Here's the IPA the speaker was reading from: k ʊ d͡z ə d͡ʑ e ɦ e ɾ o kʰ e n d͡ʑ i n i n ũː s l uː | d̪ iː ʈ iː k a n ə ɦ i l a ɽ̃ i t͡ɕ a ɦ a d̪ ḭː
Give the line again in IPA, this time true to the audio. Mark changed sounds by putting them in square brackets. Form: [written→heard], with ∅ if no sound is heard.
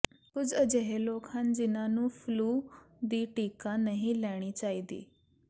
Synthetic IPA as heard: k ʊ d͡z ə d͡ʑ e ɦ e [ɾ→l] o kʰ [e→a] n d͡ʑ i n [i→a] n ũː [s→f] l uː | d̪ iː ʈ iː k a n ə ɦ i l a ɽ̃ i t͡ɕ a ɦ [a→i] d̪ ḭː